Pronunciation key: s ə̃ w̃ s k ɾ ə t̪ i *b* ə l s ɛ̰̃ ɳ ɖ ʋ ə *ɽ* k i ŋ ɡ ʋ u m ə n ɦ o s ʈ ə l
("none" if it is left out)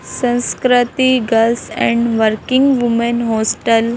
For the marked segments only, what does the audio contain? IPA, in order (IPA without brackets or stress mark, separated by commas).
ɡ, ɾ